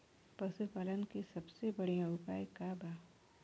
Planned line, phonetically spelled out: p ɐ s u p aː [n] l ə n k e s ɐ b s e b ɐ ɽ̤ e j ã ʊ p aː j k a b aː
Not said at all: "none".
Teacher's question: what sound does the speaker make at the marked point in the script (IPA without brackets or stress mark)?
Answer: none